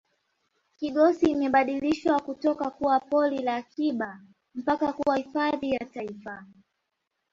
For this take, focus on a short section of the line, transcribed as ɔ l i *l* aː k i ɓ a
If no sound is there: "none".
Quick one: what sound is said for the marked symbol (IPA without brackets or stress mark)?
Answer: l